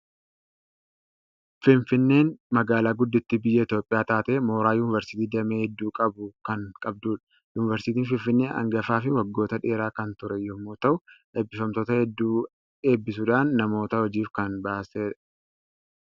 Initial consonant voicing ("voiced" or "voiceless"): voiceless